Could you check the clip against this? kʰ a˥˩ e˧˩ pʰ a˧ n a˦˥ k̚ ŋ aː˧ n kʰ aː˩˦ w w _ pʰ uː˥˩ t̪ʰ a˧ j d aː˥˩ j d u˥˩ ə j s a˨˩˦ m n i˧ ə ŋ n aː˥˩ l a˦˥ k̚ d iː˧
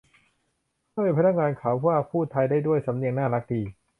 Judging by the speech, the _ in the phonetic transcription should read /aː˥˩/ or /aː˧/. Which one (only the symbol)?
aː˥˩